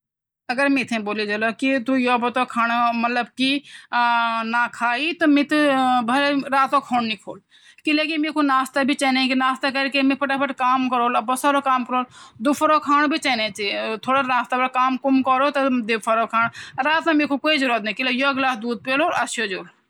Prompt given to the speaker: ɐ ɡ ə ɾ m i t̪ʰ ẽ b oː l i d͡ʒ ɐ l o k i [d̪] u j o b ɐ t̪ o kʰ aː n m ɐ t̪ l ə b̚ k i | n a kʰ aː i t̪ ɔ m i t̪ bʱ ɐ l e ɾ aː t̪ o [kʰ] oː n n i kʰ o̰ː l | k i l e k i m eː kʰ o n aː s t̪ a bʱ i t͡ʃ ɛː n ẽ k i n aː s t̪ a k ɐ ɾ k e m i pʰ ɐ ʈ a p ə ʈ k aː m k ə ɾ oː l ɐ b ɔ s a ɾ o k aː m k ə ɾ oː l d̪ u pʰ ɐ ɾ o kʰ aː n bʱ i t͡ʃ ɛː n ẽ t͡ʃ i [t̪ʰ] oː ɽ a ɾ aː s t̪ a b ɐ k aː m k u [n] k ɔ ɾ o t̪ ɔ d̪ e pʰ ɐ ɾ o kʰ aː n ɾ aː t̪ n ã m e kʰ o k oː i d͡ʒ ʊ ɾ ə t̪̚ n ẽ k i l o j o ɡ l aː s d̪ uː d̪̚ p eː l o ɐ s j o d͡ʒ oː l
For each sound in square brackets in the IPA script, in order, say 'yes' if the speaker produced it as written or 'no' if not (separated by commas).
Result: no, yes, yes, no